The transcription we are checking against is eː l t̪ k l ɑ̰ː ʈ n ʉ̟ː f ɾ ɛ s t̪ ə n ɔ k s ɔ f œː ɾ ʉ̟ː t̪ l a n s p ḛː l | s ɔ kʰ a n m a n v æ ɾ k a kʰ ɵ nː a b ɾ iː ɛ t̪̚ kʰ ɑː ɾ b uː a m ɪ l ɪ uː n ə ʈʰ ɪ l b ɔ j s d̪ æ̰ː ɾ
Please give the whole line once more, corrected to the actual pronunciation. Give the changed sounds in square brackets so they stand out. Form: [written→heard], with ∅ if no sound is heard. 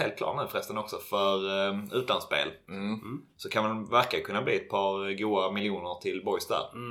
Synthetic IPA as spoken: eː l t̪ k l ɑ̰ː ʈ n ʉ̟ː f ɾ ɛ s t̪ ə n ɔ k s ɔ f [œː→œ] ɾ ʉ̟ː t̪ l a n s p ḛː l | s ɔ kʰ a n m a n v æ ɾ k a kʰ ɵ nː a b [ɾ→l] iː ɛ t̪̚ [kʰ→pʰ] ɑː ɾ [b→ɡ] uː a m ɪ l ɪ uː n ə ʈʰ ɪ l b ɔ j s d̪ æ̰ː ɾ